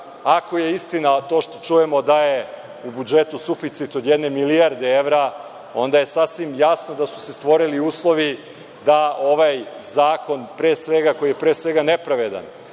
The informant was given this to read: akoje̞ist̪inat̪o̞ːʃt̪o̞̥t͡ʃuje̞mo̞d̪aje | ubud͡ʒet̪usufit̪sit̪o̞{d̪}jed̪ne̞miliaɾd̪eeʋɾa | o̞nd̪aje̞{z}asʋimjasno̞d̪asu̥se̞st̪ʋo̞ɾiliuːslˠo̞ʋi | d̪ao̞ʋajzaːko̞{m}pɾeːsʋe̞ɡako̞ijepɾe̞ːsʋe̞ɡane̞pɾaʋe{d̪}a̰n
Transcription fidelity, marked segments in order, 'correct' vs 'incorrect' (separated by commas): correct, incorrect, incorrect, correct